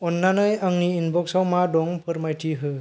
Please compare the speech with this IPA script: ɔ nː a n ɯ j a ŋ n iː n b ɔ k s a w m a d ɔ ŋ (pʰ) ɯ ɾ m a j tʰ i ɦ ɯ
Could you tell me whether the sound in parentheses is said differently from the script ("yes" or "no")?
no